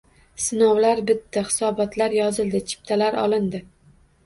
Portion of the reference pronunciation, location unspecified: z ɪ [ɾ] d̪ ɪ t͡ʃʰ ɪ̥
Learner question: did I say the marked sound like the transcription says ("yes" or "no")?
no